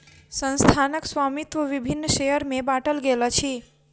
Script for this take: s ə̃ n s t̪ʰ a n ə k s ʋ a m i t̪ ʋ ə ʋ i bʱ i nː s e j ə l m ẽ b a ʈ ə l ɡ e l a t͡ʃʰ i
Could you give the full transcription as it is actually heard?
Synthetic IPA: s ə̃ n s t̪ʰ a n ə k s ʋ a m i t̪ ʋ ə ʋ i bʱ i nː ʃ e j ə ɾ m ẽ b a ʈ ə l ɡ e l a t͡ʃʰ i